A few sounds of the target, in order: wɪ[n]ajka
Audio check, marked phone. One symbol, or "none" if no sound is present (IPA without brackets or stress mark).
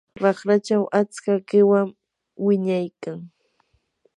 ɲ